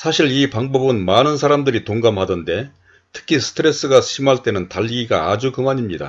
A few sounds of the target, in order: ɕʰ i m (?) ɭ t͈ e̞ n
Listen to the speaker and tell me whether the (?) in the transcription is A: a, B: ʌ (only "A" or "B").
A